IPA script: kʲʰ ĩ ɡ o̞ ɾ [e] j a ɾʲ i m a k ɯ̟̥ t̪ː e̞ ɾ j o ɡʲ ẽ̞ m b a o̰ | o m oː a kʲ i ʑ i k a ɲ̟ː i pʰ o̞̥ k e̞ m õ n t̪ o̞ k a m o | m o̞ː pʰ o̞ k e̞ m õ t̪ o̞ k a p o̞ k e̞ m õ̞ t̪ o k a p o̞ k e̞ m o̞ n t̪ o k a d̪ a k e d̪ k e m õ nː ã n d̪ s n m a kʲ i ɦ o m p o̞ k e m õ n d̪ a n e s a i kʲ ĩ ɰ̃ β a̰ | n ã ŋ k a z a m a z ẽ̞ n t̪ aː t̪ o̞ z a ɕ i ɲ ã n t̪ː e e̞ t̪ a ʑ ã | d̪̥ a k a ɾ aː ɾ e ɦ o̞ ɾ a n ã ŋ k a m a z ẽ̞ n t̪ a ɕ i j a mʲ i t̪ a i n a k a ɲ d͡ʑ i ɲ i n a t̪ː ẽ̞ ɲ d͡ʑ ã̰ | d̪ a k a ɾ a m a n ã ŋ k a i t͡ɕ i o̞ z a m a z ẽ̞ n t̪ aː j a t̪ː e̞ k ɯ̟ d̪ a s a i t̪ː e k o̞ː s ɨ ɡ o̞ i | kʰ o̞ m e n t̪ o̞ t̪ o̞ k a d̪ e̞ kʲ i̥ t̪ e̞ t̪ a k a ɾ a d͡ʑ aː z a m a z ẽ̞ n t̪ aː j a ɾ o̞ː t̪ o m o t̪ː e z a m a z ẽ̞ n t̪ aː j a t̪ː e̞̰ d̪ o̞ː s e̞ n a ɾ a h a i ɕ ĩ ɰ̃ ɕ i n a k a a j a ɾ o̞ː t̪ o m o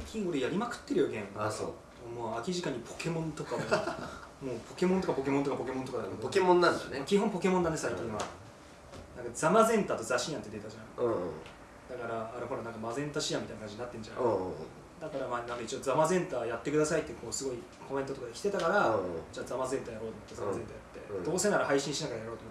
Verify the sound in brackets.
correct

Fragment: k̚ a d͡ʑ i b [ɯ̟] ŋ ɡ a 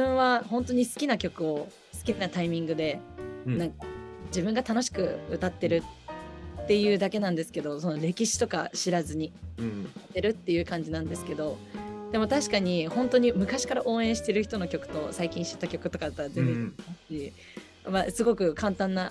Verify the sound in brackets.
incorrect: ɯ̟̃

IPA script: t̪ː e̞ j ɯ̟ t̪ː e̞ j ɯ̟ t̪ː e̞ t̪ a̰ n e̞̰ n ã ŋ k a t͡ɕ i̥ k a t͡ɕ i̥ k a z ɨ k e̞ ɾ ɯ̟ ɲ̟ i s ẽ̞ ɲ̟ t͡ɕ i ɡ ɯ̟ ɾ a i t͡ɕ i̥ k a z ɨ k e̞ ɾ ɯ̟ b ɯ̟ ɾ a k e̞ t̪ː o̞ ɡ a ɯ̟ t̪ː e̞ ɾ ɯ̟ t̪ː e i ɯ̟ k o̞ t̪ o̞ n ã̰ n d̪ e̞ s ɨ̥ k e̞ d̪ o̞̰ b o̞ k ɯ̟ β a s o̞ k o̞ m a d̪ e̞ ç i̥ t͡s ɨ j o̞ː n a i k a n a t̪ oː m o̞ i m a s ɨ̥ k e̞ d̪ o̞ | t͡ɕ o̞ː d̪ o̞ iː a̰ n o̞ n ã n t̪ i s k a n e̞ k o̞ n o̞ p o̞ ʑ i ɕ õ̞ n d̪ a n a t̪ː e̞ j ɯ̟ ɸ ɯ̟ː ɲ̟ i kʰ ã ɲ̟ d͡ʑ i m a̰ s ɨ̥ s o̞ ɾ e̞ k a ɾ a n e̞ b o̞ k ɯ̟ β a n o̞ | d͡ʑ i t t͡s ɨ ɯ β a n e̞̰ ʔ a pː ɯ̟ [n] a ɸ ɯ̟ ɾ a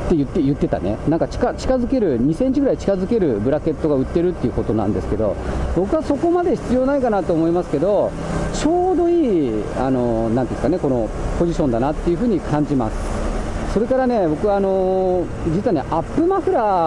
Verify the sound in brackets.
incorrect: m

